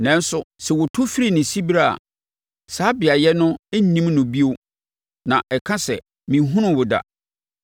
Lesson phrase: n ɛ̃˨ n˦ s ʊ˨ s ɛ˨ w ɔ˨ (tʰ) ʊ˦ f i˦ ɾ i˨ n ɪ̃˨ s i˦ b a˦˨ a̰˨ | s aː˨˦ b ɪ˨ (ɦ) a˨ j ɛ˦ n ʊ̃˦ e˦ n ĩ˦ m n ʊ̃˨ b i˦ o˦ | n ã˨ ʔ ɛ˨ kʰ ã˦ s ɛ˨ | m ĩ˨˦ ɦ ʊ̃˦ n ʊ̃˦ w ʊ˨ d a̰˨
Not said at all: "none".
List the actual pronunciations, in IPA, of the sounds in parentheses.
tʰ, none

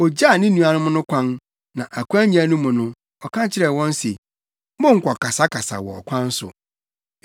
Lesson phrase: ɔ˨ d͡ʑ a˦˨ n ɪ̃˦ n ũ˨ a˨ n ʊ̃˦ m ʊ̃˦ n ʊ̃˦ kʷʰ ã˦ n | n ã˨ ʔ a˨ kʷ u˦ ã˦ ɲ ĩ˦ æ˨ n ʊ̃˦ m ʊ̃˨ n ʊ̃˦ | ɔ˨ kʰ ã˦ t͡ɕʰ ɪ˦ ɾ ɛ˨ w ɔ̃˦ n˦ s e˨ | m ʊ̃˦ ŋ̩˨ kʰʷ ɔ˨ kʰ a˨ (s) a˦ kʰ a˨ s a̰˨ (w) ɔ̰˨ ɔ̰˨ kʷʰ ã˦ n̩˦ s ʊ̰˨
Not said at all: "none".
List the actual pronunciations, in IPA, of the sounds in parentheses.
s, w

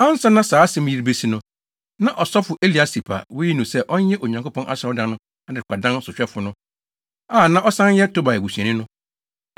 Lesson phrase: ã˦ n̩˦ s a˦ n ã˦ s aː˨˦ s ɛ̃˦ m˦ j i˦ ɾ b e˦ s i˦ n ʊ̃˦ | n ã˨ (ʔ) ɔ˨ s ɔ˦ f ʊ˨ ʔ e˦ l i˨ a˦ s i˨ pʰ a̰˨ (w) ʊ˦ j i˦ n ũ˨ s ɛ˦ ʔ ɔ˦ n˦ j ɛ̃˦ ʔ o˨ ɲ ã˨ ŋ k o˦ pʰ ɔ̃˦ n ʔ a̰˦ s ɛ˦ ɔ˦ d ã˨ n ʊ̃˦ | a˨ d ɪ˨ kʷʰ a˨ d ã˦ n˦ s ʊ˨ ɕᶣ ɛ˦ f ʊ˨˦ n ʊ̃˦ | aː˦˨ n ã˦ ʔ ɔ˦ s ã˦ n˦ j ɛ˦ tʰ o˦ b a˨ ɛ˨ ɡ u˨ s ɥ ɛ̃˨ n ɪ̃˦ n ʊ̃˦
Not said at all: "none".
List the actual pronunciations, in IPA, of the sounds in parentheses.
ʔ, w

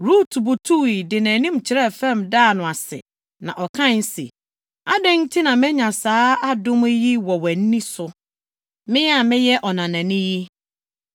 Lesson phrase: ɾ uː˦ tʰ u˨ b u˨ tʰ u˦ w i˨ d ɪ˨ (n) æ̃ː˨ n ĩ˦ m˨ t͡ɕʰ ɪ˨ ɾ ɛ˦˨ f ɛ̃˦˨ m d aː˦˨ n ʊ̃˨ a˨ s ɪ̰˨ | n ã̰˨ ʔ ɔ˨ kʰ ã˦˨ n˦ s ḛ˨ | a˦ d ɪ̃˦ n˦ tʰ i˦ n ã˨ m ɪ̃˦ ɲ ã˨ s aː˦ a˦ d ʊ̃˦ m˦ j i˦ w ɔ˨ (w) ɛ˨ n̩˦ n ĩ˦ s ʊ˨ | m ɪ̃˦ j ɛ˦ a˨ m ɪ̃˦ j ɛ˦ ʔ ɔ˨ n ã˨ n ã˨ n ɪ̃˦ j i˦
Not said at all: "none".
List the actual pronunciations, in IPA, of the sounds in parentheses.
n, w

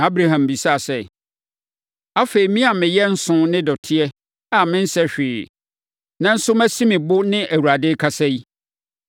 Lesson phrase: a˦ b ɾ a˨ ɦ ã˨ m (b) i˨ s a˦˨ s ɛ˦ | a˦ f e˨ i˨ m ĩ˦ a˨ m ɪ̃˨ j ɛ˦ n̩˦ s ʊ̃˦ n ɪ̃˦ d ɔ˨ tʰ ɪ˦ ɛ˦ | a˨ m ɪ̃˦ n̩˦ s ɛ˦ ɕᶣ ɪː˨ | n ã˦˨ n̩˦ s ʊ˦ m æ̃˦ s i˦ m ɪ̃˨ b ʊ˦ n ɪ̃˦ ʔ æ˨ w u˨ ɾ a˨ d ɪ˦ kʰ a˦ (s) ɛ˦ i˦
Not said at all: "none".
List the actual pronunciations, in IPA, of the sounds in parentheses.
b, s

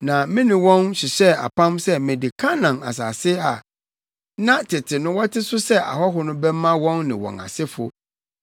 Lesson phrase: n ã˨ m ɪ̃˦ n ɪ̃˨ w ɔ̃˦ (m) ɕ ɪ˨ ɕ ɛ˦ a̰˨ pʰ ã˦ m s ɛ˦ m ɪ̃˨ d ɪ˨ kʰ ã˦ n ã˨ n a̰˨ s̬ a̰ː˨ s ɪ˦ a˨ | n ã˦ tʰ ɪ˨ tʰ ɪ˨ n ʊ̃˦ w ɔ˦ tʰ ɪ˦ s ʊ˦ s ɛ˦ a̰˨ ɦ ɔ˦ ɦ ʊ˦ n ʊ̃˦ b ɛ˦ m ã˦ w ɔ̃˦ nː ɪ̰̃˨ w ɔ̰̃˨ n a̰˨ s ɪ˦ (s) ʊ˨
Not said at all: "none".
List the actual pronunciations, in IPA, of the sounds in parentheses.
n, f

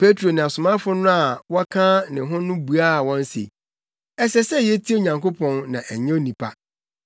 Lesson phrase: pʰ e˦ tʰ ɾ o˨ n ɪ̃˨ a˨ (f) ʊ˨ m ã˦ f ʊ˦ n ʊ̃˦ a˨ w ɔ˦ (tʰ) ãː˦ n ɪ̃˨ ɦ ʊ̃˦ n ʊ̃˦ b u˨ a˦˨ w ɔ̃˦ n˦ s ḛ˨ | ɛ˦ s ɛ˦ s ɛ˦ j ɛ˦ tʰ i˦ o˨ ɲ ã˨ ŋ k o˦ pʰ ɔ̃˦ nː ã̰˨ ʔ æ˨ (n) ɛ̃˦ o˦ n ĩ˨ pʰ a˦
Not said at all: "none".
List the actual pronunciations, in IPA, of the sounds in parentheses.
s, kʰ, ɲ

